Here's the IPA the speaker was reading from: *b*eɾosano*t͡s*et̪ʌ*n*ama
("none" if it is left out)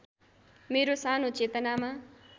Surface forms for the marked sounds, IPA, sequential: m, t͡s, n

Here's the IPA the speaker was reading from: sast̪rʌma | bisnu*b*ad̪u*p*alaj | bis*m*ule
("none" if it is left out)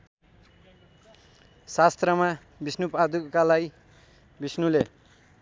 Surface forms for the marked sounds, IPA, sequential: p, k, n

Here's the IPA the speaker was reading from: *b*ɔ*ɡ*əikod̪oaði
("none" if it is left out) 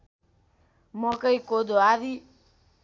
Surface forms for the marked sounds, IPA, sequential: m, k

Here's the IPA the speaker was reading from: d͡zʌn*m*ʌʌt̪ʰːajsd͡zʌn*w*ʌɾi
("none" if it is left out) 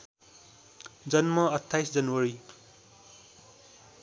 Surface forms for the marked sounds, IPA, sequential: m, w

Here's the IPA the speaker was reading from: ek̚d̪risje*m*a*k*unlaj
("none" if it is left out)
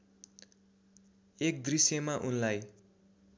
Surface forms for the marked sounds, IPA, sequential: m, ʔ

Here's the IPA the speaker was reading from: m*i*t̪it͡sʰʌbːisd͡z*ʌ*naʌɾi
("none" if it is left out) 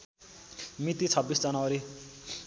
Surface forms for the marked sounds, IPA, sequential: i, ʌ

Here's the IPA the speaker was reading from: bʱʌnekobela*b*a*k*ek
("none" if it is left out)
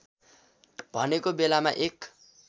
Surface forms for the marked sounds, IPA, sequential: m, ʔ

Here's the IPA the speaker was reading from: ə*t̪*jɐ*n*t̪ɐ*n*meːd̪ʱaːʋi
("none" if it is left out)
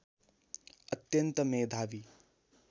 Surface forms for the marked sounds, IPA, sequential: t̪, n, none

